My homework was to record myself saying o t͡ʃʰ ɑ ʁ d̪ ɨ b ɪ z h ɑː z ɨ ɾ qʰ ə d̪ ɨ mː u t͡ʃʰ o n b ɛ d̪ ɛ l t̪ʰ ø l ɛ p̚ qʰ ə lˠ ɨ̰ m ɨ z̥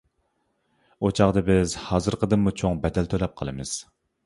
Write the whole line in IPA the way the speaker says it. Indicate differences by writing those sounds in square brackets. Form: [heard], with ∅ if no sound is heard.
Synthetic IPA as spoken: o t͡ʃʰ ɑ ʁ d̪ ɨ b ɪ z h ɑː z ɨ ɾ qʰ ə d̪ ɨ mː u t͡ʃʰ o [ŋ] b ɛ d̪ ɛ l t̪ʰ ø l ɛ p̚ qʰ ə lˠ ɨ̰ m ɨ z̥